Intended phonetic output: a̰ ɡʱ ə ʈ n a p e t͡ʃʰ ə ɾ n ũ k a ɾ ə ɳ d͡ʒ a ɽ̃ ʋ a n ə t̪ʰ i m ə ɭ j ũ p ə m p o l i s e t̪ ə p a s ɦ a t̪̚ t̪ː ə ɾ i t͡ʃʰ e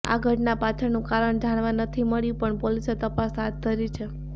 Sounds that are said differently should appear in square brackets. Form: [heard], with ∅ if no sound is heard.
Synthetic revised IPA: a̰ ɡʱ ə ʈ n a p [a] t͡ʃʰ ə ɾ n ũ k a ɾ ə ɳ d͡ʒ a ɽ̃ ʋ a n ə t̪ʰ i m ə ɭ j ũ p ə [ɳ] p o l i s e t̪ ə p a s ɦ a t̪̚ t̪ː ə ɾ i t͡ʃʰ e